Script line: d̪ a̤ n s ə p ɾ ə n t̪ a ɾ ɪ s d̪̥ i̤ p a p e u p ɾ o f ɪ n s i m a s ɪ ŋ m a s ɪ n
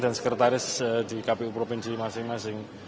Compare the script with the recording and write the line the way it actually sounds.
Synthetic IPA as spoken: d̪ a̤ n s ə k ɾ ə t̪ a ɾ ɪ s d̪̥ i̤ k a p e u p ɾ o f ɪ n s i m a s ɪ ŋ m a s ɪ ŋ